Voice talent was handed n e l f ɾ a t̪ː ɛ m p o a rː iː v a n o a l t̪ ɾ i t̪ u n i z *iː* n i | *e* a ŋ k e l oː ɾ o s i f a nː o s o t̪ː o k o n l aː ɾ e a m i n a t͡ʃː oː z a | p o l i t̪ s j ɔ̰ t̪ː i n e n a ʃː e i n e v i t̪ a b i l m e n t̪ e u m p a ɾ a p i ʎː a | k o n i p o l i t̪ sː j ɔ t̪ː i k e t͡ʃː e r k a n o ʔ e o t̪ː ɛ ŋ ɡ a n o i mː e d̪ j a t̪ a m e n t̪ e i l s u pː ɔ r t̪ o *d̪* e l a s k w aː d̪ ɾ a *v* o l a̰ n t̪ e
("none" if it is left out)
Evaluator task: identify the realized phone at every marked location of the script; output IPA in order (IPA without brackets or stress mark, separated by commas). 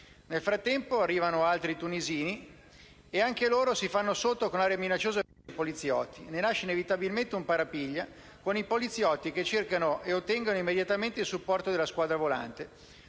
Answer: iː, e, d̪, v